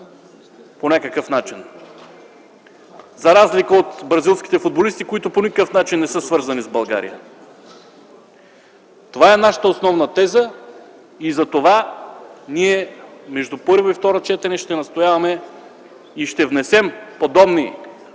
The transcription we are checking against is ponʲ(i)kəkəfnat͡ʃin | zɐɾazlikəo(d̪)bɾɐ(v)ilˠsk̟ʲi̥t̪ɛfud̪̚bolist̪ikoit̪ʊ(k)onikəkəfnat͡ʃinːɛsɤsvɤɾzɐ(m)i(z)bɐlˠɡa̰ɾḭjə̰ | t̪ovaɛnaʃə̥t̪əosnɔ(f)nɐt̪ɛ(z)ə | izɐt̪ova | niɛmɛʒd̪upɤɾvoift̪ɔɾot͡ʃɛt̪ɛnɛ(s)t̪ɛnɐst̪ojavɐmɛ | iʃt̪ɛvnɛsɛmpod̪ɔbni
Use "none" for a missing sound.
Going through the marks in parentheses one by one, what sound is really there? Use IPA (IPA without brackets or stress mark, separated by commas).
a, t̪, z, p, n, z, v, z, ʃ